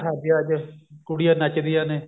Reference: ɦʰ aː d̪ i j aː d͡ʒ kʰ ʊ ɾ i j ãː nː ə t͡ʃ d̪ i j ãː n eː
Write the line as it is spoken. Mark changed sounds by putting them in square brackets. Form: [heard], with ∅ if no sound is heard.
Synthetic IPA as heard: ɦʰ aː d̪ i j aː d͡ʒ [k] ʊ [ɽ] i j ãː [n] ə t͡ʃ d̪ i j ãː n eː